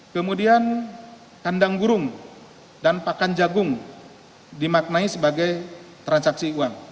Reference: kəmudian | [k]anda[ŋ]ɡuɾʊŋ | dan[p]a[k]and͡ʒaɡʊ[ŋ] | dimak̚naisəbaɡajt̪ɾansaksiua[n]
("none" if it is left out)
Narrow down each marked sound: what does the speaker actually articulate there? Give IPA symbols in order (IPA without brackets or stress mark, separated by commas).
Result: k, ŋ, p, k, ŋ, ŋ